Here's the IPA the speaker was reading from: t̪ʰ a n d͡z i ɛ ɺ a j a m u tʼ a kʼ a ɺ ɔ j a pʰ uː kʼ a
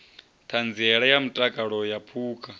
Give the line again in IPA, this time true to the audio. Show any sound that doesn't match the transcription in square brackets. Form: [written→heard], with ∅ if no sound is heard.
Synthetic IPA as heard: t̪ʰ a n d͡z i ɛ ɺ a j a m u tʼ a kʼ a ɺ ɔ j a pʰ uː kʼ a